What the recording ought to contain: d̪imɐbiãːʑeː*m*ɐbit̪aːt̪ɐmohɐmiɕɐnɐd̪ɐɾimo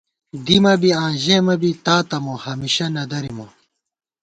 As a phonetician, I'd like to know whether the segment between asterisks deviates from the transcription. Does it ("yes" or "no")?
no